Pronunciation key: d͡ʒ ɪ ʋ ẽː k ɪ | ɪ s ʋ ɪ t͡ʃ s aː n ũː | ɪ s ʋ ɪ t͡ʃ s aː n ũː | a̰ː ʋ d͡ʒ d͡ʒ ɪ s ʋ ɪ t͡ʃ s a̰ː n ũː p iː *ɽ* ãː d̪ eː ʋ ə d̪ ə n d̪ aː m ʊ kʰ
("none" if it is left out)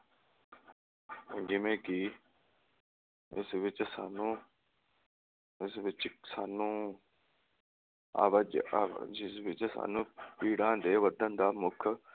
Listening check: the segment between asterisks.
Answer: ɽ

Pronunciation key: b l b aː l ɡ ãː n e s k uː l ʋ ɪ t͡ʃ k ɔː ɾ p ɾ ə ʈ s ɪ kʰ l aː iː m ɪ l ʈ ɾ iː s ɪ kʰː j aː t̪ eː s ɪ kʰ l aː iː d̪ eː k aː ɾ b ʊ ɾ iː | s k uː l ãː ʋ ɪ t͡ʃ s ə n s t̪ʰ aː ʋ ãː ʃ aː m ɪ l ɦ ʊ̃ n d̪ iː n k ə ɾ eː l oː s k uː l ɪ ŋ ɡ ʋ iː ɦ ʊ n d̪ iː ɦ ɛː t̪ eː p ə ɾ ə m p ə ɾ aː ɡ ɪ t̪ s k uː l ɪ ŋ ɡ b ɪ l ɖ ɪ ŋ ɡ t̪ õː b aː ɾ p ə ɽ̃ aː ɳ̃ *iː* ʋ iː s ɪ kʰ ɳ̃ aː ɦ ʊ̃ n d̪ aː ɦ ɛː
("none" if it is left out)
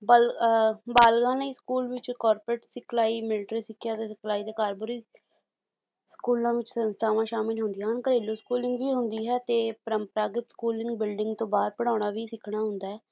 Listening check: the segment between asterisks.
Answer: aː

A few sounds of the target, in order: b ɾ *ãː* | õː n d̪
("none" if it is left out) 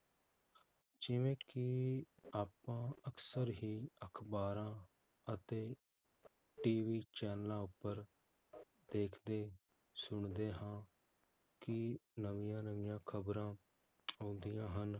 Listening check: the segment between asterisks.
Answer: ãː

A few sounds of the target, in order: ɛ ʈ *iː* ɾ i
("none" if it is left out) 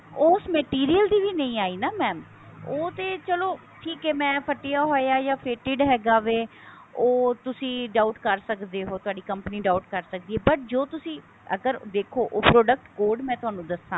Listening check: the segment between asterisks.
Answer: iː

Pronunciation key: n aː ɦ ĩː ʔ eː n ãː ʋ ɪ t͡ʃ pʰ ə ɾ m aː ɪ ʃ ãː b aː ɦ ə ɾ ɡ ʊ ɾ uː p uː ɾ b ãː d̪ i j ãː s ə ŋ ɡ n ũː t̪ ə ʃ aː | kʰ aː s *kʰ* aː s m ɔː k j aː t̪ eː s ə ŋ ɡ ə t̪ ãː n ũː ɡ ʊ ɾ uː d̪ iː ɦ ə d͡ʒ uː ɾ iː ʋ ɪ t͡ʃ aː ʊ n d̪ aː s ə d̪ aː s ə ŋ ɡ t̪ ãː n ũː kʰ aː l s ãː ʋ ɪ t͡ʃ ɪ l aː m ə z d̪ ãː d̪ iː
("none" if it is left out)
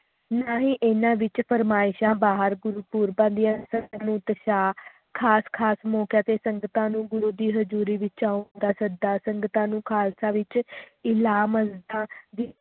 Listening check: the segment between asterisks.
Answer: kʰ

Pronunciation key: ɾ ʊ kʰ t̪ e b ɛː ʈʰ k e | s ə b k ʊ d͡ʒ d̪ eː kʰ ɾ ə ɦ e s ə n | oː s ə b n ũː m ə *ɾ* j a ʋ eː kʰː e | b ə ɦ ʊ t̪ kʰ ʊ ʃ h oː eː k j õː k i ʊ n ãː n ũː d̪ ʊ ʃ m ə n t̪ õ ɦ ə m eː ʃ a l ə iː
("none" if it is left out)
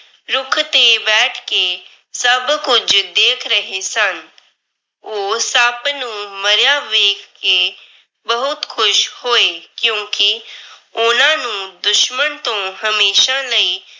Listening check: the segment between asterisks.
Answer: ɾ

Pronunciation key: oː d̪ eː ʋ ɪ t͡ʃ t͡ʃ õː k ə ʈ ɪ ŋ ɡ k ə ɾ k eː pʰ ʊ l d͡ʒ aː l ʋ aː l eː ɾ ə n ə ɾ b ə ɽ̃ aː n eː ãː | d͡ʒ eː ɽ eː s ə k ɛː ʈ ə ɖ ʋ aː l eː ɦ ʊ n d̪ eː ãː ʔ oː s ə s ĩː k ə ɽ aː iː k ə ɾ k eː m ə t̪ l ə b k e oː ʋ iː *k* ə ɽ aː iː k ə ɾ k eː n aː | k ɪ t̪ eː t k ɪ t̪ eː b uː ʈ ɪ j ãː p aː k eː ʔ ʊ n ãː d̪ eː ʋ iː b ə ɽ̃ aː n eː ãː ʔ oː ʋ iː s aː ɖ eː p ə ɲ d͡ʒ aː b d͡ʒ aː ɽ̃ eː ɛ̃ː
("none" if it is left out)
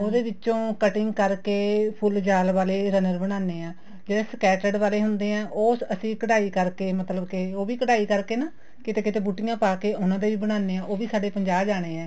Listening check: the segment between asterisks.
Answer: k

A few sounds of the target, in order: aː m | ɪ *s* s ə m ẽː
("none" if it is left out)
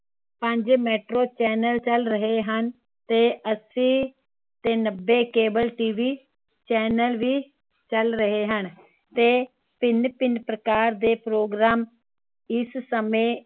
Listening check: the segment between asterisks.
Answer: s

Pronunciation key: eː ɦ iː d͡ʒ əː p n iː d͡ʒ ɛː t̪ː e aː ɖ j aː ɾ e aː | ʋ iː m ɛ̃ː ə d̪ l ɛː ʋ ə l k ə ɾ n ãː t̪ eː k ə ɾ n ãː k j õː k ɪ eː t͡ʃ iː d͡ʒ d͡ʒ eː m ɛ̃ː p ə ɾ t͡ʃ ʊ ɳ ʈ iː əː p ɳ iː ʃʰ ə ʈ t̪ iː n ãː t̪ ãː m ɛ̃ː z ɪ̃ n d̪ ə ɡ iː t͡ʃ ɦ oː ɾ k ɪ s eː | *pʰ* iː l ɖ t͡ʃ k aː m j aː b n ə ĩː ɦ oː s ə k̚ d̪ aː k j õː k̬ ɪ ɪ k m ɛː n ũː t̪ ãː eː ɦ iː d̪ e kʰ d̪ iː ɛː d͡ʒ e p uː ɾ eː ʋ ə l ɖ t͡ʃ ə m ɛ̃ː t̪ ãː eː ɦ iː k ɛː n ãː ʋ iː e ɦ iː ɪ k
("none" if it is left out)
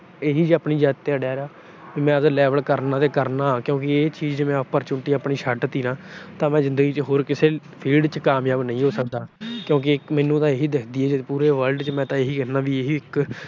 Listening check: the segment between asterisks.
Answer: pʰ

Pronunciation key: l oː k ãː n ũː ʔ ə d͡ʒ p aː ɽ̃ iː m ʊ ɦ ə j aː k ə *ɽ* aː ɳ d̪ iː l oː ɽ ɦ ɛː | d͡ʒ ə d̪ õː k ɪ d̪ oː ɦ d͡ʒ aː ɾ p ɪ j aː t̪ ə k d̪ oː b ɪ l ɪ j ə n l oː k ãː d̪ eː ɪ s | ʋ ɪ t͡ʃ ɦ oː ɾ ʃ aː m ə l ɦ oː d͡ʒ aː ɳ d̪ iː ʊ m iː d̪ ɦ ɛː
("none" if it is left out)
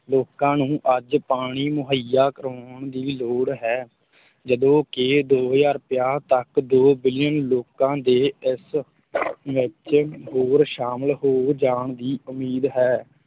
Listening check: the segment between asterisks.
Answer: ɾ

